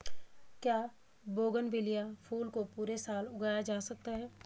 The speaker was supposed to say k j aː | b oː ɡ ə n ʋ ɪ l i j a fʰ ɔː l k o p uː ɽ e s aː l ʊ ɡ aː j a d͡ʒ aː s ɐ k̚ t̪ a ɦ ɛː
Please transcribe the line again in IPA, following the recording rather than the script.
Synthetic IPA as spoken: k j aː | b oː ɡ ə n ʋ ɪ l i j a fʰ uː l k o p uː ɾ e s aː l ʊ ɡ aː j a d͡ʒ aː s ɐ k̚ t̪ a ɦ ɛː

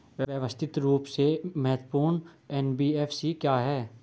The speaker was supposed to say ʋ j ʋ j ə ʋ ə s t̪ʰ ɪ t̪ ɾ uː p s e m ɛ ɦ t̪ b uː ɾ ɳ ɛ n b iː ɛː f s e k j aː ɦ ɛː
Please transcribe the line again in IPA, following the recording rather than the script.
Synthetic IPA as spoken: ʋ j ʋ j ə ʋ ə s t̪ʰ ɪ t̪ ɾ uː p s e m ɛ ɦ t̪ p uː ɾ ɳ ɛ n b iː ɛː f s i k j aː ɦ ɛː

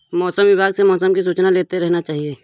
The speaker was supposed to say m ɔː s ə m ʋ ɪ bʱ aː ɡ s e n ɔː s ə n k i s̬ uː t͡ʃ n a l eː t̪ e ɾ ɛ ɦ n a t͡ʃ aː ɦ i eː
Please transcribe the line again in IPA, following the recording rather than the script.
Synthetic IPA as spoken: m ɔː s ə m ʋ ɪ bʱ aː ɡ s e m ɔː s ə m k i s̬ uː t͡ʃ n a l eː t̪ e ɾ ɛ ɦ n a t͡ʃ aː ɦ i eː

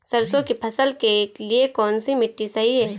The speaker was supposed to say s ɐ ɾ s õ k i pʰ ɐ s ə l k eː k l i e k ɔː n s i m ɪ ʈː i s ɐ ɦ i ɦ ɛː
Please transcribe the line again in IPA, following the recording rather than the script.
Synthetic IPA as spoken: s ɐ ɾ s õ k i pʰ ɐ s ə l k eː k l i e k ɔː n s i m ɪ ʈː i s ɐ ɦ i ɦ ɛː

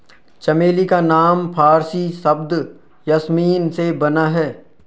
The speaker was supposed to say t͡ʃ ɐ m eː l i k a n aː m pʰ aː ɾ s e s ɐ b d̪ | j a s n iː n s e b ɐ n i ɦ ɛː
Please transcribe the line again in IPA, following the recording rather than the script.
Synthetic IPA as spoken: t͡ʃ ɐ m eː l i k a n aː m pʰ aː ɾ s i s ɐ b d̪ | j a s m iː n s e b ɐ n a ɦ ɛː

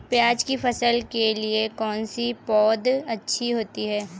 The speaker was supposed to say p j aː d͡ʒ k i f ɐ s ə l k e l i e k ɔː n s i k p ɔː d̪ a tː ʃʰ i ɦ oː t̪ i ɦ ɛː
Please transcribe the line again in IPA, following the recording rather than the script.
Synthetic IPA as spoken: p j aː d͡ʒ k i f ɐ s ə l k e l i e k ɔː n s i p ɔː d̪ ɐ tː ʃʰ i ɦ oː t̪ i ɦ ɛː

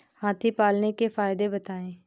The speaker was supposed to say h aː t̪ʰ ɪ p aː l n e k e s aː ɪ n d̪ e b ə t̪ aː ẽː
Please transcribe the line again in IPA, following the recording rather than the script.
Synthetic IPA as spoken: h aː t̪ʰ i p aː l n e k e f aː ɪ d̪ e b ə t̪ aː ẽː

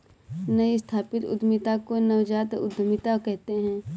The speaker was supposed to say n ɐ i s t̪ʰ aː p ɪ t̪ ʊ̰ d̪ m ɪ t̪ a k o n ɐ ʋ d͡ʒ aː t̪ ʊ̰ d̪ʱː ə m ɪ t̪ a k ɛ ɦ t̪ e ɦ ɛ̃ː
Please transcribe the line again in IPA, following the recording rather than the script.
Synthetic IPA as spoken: n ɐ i s t̪ʰ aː p ɪ t̪ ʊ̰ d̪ m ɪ t̪ a k o n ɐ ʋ d͡ʒ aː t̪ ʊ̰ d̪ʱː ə m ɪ t̪ a k ɛ ɦ t̪ e ɦ ɛ̃ː

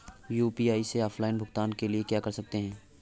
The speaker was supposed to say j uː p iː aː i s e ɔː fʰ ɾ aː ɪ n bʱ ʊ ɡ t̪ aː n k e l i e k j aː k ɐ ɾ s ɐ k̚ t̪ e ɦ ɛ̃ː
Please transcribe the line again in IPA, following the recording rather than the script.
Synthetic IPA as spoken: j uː p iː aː i s e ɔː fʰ l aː ɪ n bʱ ʊ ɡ t̪ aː n k e l i e k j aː k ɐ ɾ s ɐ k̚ t̪ e ɦ ɛ̃ː

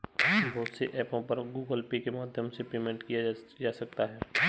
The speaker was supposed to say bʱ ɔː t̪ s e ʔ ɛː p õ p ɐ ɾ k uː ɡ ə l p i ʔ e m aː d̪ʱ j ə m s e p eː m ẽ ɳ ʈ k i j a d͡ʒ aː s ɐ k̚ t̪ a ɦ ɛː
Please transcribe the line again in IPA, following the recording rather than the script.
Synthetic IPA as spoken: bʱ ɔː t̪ s e ʔ ɛː p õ p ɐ ɾ ɡ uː ɡ ə l p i k e m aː d̪ʱ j ə m s e p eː m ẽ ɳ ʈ k i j a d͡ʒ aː s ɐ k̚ t̪ a ɦ ɛː

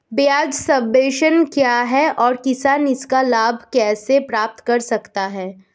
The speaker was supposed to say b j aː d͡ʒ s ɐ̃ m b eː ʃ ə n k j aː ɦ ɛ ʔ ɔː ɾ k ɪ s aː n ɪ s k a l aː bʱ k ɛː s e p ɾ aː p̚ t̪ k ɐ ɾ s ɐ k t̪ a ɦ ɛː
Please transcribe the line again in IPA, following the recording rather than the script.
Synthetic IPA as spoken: b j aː d͡ʒ s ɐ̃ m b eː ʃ ə n k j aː ɦ ɛ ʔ ɔː ɾ k ɪ s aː n ɪ s k a l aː bʱ k ɛː s e p ɾ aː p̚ t̪ k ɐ ɾ s ɐ k t̪ a ɦ ɛː

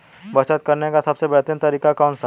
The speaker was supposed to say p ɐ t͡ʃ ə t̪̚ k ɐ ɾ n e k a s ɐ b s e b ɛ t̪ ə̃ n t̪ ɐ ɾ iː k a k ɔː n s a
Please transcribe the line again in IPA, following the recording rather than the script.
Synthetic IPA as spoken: b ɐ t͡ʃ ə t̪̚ k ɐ ɾ n e k a s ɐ b s e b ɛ t̪ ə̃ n t̪ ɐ ɾ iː k a k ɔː n s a

